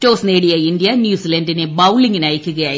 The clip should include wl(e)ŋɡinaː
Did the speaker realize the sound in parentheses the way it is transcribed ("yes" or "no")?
no